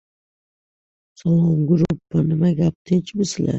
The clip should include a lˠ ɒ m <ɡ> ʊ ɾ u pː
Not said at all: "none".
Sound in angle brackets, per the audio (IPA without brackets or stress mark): ɡ